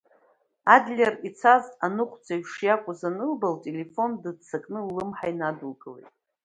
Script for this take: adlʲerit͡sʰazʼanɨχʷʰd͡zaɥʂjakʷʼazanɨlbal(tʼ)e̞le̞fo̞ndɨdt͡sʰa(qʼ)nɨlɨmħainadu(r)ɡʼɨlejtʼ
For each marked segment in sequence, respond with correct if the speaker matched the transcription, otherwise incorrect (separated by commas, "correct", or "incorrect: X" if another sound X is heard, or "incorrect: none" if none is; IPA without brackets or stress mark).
correct, incorrect: kʼ, incorrect: l